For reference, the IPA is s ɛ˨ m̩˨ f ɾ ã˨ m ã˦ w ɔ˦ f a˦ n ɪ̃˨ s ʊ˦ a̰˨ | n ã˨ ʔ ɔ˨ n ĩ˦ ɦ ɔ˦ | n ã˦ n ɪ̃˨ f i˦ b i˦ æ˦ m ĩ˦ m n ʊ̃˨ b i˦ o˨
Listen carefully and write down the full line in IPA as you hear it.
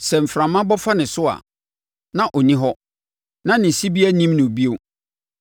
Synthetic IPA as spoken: s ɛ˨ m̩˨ f ɾ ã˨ m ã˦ b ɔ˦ f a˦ n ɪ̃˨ s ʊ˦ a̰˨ | n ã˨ ʔ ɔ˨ n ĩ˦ ɦ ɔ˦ | n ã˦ n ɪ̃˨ s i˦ b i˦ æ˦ n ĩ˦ m n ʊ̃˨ b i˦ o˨